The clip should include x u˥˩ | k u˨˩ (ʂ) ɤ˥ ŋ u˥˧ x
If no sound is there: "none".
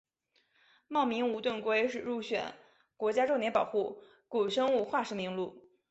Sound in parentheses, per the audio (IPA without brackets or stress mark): ʂ